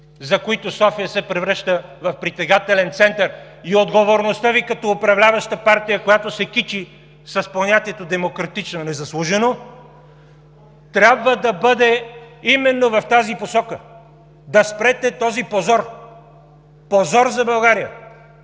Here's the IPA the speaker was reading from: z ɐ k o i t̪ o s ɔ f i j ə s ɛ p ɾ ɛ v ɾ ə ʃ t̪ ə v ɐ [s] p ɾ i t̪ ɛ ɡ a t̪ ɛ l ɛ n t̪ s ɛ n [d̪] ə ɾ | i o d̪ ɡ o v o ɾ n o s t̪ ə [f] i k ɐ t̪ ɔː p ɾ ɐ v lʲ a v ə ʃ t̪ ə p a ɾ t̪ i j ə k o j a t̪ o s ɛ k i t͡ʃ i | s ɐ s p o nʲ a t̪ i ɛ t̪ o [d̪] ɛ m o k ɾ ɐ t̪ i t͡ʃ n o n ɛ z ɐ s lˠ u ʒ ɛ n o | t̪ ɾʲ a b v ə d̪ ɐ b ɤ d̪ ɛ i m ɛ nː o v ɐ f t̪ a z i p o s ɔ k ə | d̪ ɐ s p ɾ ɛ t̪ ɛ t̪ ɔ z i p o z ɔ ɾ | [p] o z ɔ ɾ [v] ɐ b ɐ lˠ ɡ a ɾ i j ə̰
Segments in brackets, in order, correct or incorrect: incorrect: f, incorrect: t̪, incorrect: v, correct, correct, incorrect: z

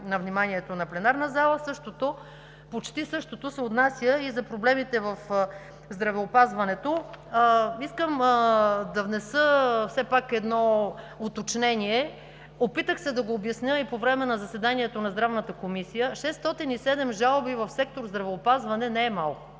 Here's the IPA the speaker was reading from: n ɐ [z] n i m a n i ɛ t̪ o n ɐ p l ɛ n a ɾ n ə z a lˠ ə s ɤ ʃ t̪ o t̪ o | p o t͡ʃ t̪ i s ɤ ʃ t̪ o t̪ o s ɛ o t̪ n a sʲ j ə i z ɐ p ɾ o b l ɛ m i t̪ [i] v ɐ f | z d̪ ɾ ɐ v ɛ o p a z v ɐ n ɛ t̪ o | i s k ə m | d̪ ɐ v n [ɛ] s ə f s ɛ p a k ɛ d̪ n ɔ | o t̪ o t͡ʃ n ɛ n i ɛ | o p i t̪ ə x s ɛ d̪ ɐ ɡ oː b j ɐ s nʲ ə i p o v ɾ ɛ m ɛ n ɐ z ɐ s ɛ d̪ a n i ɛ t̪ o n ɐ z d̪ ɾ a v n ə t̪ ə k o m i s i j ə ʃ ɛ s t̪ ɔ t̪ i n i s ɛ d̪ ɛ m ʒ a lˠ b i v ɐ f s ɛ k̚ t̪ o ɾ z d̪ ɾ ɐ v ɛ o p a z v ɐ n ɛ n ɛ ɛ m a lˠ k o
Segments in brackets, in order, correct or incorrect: incorrect: v, incorrect: ɛ, correct

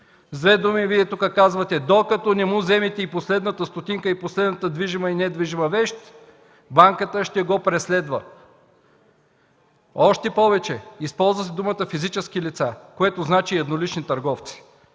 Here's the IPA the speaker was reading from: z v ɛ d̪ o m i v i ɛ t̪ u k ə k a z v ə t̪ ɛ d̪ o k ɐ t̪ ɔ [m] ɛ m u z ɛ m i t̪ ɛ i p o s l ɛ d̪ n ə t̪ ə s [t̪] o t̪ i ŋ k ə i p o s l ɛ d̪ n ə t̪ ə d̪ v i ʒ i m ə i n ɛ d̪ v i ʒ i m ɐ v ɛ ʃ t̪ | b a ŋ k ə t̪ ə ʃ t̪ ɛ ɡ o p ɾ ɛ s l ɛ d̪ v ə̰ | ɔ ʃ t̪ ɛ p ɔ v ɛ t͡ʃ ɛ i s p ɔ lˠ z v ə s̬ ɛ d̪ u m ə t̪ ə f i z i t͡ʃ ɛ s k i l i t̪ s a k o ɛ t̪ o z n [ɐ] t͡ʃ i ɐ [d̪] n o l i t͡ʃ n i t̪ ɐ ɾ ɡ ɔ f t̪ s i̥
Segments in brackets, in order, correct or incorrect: incorrect: n, correct, incorrect: a, correct

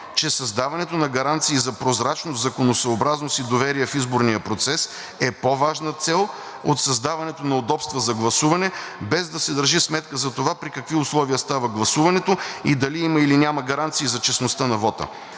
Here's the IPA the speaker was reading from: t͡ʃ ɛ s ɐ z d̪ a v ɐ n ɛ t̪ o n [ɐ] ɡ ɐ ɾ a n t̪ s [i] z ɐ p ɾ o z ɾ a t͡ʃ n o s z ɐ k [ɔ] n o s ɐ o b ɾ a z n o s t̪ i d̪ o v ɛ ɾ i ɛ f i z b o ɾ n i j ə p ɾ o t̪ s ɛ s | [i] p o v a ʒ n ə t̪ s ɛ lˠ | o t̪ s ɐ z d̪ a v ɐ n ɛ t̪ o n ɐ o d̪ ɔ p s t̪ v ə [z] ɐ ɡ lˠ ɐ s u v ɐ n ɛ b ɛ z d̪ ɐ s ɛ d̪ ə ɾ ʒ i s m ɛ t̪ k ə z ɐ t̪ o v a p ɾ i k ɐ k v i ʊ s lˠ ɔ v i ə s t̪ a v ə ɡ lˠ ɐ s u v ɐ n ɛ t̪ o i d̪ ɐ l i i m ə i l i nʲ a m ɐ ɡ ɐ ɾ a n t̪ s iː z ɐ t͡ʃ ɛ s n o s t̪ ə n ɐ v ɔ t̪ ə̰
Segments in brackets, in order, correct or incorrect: correct, incorrect: iː, incorrect: o, incorrect: ɛ, correct

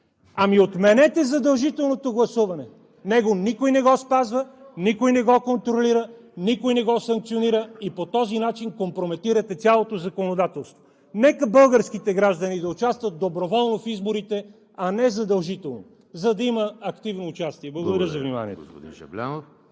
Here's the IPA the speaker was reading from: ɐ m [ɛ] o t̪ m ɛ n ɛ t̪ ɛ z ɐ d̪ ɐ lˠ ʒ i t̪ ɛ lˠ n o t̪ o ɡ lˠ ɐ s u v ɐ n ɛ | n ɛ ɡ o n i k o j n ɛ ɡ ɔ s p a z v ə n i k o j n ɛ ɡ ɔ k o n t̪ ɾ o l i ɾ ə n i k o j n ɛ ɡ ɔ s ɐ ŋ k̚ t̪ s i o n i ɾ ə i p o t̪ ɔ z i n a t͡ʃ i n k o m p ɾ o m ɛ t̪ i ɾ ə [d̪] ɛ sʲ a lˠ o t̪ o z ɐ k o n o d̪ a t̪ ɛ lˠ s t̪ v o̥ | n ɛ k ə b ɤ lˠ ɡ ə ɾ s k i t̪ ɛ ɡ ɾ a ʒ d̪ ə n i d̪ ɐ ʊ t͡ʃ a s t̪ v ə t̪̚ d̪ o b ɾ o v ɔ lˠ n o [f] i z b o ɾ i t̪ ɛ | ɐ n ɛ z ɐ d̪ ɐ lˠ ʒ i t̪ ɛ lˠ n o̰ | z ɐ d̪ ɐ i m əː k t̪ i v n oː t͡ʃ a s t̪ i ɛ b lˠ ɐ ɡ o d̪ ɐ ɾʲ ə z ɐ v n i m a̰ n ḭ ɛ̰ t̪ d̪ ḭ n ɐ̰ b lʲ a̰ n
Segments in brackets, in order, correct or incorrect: incorrect: i, incorrect: t̪, correct

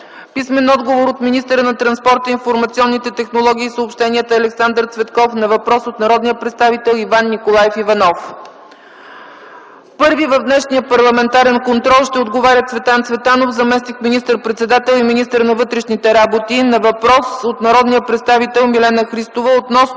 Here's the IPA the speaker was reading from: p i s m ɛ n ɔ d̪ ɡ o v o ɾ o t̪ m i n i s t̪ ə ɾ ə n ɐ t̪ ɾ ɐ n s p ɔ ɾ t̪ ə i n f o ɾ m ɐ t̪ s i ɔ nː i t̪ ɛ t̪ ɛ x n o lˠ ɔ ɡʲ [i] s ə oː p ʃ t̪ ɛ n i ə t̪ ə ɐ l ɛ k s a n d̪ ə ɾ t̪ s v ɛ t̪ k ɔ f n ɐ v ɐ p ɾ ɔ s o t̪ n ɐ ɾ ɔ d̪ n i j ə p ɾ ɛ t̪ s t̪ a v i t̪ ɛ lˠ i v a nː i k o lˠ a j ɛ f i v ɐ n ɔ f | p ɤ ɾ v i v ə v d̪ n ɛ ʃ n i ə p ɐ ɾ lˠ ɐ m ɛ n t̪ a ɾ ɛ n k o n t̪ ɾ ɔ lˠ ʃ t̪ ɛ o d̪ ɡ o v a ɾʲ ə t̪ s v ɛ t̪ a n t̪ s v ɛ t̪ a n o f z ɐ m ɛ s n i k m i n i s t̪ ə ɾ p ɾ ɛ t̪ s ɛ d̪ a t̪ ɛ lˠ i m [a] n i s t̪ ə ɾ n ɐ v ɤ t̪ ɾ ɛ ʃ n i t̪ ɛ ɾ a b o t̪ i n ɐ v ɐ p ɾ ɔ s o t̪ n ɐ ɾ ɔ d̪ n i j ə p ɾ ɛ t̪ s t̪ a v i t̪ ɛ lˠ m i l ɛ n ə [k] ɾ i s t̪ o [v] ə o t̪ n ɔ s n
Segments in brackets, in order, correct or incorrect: incorrect: iː, incorrect: i, incorrect: x, correct

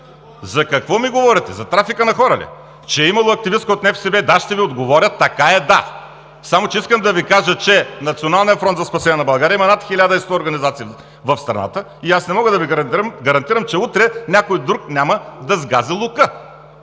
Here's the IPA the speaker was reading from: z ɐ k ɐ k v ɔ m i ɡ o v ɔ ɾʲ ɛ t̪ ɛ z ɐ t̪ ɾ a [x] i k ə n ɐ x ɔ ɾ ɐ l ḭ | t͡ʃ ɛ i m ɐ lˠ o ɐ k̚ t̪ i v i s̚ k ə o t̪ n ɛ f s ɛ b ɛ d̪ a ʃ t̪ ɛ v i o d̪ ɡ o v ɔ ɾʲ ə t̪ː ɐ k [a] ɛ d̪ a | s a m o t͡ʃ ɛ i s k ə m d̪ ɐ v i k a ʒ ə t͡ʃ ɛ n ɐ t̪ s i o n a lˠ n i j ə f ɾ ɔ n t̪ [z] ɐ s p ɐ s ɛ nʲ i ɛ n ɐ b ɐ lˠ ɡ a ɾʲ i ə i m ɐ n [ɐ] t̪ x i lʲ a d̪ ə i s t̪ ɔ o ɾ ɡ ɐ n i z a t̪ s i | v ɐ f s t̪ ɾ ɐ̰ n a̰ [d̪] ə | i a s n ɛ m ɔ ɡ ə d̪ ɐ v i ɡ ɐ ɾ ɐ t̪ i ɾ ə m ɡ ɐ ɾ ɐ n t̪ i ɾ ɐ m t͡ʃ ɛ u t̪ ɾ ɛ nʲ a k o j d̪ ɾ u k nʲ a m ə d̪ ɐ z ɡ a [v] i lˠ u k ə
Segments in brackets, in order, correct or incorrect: incorrect: f, correct, correct, incorrect: a, incorrect: t̪, incorrect: z

